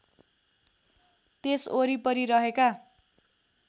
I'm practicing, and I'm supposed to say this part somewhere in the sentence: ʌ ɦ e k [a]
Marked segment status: correct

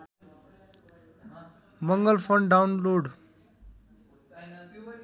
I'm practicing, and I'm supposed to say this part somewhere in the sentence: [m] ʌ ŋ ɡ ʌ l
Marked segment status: correct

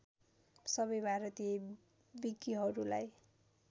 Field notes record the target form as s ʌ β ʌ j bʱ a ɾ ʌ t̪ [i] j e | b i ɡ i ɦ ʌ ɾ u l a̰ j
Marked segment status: correct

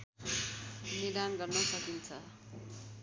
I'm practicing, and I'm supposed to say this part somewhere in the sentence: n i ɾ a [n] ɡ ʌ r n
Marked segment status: correct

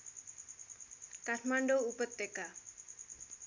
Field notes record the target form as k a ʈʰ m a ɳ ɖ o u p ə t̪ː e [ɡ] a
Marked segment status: incorrect: k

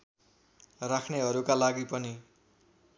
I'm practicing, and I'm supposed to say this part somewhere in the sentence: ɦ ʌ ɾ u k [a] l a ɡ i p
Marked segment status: correct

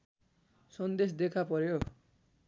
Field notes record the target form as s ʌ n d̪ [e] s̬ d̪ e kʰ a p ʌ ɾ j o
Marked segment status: correct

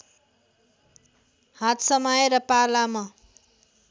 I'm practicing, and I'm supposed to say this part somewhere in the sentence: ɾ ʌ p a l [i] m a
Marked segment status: incorrect: a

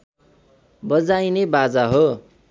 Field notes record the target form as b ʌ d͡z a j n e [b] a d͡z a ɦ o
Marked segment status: correct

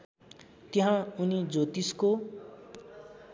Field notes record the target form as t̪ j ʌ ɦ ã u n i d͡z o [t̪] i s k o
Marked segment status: correct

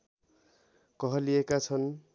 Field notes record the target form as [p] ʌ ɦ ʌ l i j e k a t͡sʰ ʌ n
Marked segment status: incorrect: k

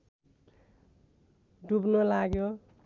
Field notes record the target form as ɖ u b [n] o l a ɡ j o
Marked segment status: correct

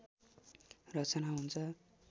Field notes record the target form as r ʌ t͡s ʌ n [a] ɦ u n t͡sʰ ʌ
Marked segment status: correct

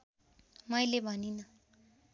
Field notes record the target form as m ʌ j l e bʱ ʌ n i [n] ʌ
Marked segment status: correct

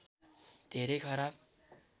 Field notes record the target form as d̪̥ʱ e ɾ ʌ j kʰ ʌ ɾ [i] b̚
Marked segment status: incorrect: a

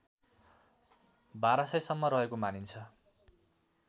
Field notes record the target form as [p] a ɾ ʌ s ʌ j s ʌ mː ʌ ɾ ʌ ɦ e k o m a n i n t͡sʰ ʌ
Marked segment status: incorrect: b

